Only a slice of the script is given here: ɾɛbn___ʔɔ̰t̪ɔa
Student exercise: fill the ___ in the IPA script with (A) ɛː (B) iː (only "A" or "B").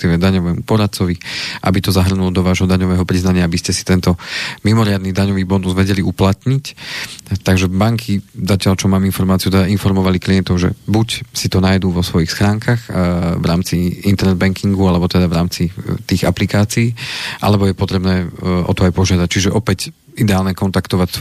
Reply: A